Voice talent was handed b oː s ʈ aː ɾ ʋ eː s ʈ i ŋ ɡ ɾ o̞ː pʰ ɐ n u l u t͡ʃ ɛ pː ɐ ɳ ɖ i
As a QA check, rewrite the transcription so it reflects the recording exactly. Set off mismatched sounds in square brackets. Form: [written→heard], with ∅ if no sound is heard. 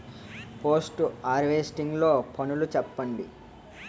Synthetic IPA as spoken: [b→p] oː s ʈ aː ɾ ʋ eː s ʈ i ŋ ɡ [ɾ→l] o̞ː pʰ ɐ n u l u t͡ʃ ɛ pː ɐ ɳ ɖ i